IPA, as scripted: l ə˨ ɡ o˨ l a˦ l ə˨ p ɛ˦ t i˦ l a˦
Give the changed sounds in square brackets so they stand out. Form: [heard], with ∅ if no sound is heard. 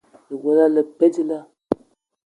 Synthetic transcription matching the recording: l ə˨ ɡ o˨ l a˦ l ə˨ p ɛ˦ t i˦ l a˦